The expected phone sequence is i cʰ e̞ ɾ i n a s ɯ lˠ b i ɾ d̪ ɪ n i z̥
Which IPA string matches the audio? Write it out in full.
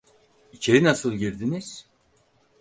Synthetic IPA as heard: i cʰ e̞ ɾ i n a s ɯ lˠ ɟ i ɾ d̪ i n i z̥